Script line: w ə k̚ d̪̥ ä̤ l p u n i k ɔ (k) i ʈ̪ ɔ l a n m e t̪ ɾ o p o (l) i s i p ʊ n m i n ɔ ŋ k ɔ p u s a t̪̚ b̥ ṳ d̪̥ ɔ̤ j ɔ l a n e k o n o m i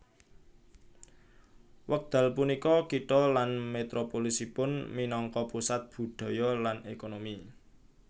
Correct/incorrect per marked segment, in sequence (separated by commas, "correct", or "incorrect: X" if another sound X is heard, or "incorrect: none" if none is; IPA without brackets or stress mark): correct, correct